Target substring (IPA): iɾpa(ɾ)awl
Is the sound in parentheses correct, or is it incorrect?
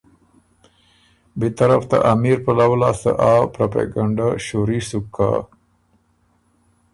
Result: incorrect